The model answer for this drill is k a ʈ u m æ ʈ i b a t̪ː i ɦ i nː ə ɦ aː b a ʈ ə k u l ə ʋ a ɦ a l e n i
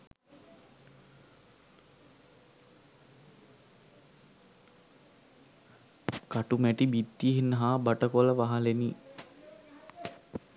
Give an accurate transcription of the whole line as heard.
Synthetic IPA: k a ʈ u m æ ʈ i b i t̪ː i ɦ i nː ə ɦ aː b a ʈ ə k o l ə ʋ a ɦ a l e n i